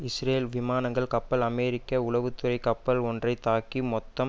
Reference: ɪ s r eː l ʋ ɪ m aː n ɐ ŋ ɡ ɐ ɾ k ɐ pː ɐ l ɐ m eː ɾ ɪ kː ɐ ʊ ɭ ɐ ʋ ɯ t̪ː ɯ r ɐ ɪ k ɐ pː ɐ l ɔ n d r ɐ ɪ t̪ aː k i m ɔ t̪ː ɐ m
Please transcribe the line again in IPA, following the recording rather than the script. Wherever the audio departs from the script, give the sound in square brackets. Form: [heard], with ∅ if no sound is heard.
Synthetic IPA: ɪ s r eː l ʋ ɪ m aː n ɐ ŋ ɡ ɐ [ɭ] k ɐ pː ɐ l ɐ m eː ɾ ɪ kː ɐ ʊ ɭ ɐ ʋ ɯ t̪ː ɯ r ɐ ɪ k ɐ pː ɐ l ɔ n d r ɐ ɪ t̪ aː k i m ɔ t̪ː ɐ m